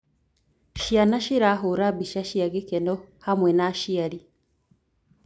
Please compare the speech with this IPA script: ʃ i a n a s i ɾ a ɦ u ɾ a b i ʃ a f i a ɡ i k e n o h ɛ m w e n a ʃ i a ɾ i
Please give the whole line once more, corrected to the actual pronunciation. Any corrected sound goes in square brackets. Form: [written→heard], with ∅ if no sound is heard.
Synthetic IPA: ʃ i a n a [s→ʃ] i ɾ a ɦ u ɾ a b i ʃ a [f→ʃ] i a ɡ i k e n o h [ɛ→a] m w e n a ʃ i a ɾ i